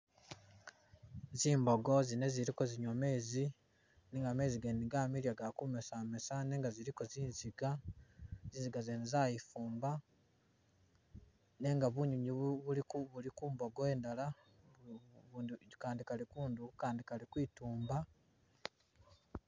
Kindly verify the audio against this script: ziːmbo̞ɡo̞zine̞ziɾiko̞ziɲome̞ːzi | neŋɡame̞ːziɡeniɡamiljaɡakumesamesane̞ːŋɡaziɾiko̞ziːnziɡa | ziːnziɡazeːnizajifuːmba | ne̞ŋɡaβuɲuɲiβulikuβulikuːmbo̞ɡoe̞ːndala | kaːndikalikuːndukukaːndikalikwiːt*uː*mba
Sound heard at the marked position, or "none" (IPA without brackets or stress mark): uː